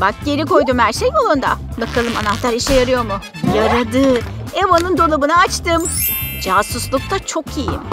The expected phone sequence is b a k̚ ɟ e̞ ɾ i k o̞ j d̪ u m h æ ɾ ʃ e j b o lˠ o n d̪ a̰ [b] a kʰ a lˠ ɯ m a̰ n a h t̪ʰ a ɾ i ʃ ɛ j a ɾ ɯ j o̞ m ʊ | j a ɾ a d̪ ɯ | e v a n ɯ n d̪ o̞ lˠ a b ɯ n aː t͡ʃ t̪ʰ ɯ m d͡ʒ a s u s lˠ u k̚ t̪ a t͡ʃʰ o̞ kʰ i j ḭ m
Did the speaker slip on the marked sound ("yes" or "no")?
no